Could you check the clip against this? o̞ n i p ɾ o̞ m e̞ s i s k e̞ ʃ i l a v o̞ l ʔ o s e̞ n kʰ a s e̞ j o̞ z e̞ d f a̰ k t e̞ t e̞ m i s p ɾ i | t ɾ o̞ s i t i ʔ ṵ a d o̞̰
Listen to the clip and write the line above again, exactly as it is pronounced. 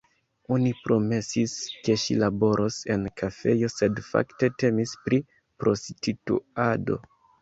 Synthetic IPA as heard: o̞ n i p ɾ o̞ m e̞ s i s k e̞ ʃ i l a b o̞ ɾ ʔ o s e̞ n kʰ a f e̞ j o̞ s e̞ d f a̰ k t e̞ t e̞ m i s p ɾ i | p ɾ o̞ s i t i t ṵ a d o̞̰